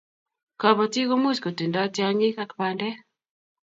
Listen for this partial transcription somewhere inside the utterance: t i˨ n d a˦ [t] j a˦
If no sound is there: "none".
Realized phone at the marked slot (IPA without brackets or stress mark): t